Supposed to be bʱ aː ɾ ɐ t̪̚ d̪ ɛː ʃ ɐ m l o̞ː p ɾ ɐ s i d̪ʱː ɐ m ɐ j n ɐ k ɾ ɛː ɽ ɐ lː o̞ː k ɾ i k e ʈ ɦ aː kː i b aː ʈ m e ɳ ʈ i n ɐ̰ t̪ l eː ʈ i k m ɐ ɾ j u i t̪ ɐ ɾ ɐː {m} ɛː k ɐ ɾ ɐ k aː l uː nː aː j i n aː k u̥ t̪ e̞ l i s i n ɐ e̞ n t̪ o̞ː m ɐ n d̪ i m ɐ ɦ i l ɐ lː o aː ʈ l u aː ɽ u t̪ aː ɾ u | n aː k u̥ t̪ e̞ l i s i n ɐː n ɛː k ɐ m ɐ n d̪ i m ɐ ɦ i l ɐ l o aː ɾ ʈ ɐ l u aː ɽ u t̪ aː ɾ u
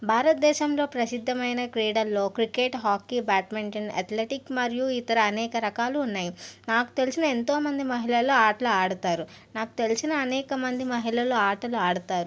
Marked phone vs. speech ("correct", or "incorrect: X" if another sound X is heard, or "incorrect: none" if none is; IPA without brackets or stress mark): incorrect: n